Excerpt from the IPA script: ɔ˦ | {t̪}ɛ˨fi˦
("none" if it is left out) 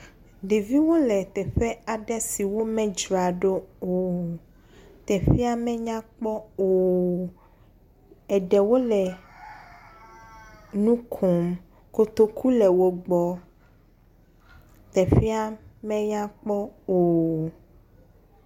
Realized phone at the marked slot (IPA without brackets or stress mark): t̪